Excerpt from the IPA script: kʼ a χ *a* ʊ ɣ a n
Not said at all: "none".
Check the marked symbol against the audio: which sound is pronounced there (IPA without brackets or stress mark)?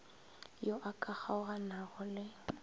a